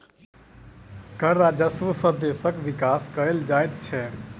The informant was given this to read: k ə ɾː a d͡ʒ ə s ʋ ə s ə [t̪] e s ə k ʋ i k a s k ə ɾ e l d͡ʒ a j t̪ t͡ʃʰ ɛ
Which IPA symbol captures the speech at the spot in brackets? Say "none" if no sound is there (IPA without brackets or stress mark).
d̪